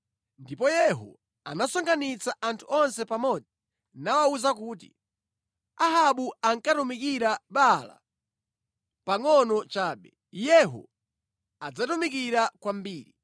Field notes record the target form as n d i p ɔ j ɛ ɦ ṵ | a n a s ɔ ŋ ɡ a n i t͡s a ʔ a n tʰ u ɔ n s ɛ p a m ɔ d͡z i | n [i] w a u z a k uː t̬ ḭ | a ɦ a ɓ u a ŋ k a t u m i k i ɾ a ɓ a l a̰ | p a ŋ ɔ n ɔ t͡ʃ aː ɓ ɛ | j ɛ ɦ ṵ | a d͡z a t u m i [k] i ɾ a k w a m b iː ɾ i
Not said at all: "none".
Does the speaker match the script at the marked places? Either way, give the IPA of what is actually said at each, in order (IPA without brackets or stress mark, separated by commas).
a, k